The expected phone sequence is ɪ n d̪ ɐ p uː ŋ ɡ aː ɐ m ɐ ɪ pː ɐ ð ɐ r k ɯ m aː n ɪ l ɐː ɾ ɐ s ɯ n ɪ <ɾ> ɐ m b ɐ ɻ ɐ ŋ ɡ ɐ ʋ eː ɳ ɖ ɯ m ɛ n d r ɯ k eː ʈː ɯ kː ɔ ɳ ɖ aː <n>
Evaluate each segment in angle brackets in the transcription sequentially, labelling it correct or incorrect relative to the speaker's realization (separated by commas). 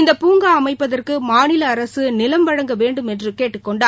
incorrect, incorrect